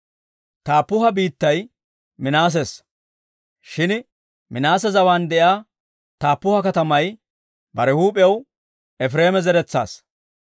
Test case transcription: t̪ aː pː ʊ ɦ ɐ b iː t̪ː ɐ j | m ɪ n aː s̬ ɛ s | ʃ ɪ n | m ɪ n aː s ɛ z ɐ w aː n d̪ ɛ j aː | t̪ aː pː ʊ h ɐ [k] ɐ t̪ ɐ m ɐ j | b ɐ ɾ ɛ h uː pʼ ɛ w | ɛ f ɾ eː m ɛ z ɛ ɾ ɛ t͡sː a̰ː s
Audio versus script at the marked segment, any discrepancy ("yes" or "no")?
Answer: no